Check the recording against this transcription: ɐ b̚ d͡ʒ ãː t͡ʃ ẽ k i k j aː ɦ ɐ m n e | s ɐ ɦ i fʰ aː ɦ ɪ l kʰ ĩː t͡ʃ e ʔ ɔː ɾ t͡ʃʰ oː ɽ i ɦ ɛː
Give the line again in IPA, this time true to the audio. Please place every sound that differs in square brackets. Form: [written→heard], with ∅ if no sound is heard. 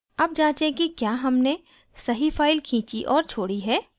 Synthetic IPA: ɐ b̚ d͡ʒ ãː t͡ʃ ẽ k i k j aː ɦ ɐ m n e | s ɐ ɦ i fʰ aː [ɦ→∅] ɪ l kʰ ĩː t͡ʃ [e→i] ʔ ɔː ɾ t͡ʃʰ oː ɽ i ɦ ɛː